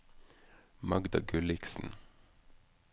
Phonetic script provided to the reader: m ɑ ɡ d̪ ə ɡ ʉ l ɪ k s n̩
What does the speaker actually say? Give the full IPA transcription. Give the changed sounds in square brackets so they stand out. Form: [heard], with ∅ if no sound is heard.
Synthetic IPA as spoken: m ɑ ɡ d̪ [ɑ] ɡ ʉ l ɪ k s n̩